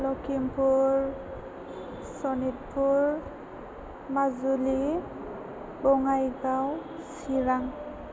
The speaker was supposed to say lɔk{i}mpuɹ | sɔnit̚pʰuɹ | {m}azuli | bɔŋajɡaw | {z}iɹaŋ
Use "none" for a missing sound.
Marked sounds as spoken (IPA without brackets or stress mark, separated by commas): i, m, s